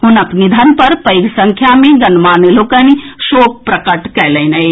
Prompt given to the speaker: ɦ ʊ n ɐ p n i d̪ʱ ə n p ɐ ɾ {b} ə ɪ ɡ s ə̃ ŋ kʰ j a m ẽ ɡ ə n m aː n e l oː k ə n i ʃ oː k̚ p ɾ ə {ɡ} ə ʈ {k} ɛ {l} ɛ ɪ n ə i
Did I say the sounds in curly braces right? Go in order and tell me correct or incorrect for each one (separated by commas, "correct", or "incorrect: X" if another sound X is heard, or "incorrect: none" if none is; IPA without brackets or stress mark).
incorrect: p, incorrect: k, correct, correct